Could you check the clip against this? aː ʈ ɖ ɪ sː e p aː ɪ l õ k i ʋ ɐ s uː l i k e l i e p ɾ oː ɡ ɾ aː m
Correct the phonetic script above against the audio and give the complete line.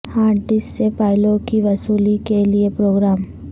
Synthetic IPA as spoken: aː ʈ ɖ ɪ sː e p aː ɪ l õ k i ʋ ɐ s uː l i k e l i e p ɾ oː ɡ ɾ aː m